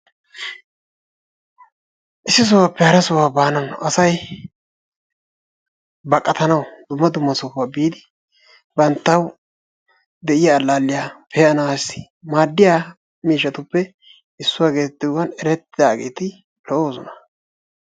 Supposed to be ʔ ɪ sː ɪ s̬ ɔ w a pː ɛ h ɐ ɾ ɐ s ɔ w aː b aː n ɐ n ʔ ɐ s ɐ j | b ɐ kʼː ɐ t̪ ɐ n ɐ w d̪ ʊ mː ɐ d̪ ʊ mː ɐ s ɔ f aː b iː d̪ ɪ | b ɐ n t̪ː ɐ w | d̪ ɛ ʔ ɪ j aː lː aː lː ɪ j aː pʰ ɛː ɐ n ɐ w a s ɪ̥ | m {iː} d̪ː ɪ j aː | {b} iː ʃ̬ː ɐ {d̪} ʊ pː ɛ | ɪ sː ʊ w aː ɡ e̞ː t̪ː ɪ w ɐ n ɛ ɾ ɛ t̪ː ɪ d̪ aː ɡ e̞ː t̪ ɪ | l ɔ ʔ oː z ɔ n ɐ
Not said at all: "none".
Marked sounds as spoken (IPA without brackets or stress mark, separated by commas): aː, m, t̪